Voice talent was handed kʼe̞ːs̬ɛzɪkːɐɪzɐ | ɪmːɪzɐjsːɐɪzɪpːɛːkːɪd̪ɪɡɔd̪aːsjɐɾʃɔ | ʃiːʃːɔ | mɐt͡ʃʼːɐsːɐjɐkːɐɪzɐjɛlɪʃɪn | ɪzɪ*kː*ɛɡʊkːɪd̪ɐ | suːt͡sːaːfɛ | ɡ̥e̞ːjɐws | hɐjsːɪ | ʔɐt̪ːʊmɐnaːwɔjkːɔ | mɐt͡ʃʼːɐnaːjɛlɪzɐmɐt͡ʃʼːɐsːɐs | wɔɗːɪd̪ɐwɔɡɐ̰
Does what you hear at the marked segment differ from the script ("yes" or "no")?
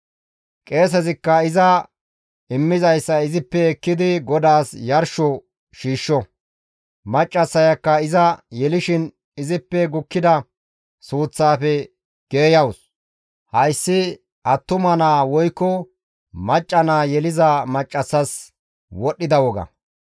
yes